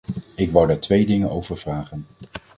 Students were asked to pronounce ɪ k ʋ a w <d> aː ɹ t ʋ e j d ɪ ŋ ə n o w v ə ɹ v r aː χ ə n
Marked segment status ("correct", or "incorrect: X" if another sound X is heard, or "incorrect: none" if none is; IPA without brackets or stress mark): correct